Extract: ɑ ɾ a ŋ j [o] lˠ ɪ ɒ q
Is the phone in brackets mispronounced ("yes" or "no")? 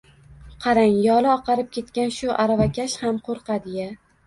yes